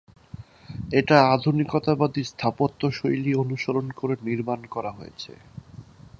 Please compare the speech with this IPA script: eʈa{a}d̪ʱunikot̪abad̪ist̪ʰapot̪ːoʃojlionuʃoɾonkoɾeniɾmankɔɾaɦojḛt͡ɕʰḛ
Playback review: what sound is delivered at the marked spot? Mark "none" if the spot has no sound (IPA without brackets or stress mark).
a